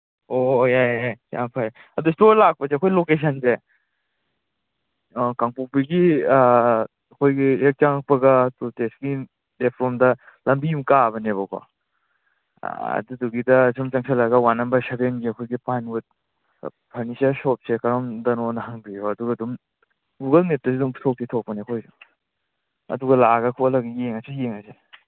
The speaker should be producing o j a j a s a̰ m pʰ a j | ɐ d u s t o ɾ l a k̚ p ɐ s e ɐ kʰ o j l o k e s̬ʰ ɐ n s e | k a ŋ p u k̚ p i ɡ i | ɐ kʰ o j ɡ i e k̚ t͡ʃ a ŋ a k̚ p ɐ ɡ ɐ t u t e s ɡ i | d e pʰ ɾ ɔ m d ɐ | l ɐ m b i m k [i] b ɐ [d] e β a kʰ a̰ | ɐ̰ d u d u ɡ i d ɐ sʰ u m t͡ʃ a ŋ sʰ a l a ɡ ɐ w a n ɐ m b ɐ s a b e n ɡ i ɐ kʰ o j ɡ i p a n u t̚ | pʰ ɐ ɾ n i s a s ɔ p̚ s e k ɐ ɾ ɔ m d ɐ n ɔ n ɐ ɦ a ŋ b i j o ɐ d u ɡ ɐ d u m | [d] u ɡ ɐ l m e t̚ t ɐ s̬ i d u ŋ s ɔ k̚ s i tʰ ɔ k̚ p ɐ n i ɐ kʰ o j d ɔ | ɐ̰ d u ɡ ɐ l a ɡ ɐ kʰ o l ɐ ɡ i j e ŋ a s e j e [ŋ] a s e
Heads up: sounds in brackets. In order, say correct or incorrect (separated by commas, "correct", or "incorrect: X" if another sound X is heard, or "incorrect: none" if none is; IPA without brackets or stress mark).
incorrect: a, incorrect: n, incorrect: ɡ, correct